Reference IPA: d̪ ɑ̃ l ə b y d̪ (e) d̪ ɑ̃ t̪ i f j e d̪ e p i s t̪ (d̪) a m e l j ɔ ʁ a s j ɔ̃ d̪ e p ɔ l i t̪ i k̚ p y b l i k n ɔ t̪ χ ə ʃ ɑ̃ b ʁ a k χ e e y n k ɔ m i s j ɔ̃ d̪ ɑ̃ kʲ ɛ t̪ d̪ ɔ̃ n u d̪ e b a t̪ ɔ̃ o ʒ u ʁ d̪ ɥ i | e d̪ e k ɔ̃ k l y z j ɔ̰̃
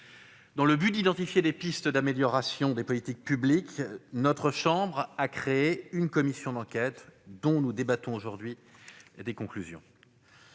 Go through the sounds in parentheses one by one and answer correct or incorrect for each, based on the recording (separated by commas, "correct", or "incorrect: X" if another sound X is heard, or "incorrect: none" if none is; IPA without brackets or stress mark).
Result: incorrect: i, correct